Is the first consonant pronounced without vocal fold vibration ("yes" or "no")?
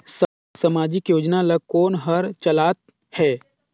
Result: yes